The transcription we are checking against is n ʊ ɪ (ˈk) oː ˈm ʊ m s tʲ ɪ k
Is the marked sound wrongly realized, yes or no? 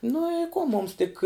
no